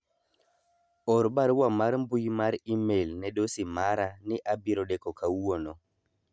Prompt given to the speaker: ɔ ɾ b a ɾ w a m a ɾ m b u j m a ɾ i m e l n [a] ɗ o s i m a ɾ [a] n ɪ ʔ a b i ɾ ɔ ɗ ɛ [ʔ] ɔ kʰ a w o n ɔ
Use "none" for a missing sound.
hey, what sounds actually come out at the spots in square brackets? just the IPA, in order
ɛ, a, k

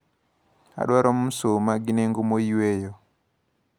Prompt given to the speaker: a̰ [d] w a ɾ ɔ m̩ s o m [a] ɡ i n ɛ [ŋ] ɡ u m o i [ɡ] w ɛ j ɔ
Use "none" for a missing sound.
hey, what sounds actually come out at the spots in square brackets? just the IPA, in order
ɗ, a, ŋ, none

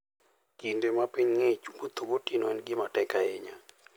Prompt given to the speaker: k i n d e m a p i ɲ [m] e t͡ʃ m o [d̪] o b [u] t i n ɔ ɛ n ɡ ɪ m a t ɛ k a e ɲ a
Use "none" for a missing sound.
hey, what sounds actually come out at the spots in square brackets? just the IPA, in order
ŋ, t̪, o

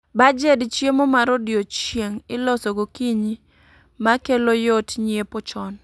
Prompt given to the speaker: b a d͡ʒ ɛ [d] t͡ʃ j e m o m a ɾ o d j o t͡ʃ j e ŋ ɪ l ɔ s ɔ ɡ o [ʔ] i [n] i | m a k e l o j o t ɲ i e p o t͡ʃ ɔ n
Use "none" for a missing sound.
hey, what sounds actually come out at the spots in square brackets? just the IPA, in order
d, k, ɲ

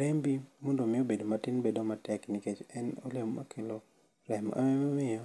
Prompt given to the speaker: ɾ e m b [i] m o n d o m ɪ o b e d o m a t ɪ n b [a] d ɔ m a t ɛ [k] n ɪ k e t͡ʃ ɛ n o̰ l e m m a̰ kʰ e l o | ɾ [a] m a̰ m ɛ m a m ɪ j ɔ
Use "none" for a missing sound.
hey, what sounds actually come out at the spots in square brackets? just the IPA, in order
i, e, k, ɛ

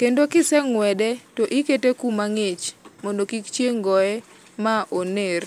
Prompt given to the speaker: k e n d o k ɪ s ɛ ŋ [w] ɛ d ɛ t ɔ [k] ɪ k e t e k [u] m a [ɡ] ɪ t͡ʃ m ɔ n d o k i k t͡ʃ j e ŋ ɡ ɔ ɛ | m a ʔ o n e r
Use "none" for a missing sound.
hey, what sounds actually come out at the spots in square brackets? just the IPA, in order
w, ʔ, u, ŋ

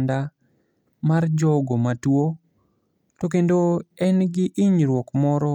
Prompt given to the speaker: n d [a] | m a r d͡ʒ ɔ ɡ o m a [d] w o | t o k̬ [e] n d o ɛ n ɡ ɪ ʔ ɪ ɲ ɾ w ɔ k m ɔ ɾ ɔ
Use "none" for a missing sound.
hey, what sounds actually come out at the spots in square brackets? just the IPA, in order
a, t, e

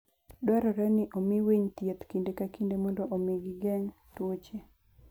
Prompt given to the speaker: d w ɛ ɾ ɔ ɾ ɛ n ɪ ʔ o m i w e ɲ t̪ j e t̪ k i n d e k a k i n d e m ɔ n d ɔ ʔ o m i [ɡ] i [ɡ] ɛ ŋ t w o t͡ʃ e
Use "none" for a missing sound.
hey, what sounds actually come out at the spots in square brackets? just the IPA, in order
ɡ, ɡ

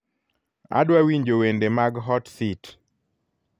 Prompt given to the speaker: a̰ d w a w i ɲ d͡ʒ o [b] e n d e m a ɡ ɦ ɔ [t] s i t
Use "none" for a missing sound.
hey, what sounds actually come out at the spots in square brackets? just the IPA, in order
w, t

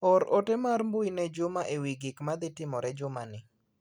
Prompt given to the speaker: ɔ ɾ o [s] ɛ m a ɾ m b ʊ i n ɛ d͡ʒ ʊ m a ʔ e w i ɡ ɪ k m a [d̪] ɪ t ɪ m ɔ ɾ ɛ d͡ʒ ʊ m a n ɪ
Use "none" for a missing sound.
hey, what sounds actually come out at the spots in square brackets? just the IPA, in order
t, d̪

